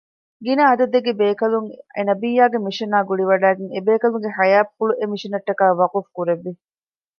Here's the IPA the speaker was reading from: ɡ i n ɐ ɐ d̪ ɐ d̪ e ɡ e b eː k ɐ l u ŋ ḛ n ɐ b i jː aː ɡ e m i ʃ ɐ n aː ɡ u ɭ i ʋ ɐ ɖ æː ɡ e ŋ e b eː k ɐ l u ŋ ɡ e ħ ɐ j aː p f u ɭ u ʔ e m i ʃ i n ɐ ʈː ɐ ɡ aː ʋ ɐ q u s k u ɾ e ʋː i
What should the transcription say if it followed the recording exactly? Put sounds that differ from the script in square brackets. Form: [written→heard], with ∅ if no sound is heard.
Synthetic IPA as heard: ɡ i n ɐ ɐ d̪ ɐ d̪ e ɡ e b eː k ɐ l u ŋ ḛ n ɐ b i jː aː ɡ e m i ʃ ɐ n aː ɡ u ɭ i ʋ ɐ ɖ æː ɡ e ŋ e b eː k ɐ l u ŋ ɡ e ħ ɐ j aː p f u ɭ u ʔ e m i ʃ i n ɐ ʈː ɐ [ɡ→k] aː ʋ ɐ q u [s→f] k u ɾ e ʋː i

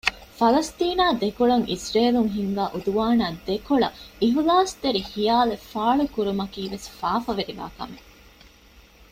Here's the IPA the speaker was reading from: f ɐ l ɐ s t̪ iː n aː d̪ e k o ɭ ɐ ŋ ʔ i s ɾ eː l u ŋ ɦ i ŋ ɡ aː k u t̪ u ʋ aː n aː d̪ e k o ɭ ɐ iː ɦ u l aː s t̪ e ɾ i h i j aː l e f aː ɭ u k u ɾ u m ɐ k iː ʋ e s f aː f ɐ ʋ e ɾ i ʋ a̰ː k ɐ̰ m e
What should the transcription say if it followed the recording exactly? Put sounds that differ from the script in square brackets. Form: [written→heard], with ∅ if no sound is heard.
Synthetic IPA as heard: f ɐ l ɐ s t̪ iː n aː d̪ e k o ɭ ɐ ŋ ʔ i s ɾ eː l u ŋ ɦ i ŋ ɡ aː [k→ʔ] u [t̪→d̪] u ʋ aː n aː d̪ e k o ɭ ɐ [iː→i] ɦ u l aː s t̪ e ɾ i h i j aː l e f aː ɭ u k u ɾ u m ɐ k iː ʋ e s f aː f ɐ ʋ e ɾ i ʋ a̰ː k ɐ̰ m e

